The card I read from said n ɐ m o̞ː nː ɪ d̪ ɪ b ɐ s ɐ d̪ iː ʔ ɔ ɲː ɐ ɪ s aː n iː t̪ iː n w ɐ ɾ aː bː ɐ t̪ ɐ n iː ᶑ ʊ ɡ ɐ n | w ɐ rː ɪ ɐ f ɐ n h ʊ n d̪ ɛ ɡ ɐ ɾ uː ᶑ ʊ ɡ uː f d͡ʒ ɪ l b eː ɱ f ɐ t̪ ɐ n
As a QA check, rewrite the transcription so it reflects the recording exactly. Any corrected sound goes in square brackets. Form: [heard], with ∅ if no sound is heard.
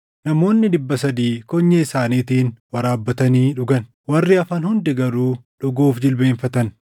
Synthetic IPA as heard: n ɐ m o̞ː nː ɪ d̪ ɪ [bː] ɐ s ɐ d̪ iː [k] ɔ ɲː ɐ ɪ s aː n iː t̪ iː n w ɐ ɾ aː bː ɐ t̪ ɐ n iː ᶑ ʊ ɡ ɐ n | w ɐ rː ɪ ɐ f ɐ n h ʊ n d̪ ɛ ɡ ɐ ɾ uː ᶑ ʊ ɡ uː f d͡ʒ ɪ l b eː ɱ f ɐ t̪ ɐ n